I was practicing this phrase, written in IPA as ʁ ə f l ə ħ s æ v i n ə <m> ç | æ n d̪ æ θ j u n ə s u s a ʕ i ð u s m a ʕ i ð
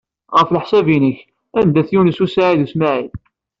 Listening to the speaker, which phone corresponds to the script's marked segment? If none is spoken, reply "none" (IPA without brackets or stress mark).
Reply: none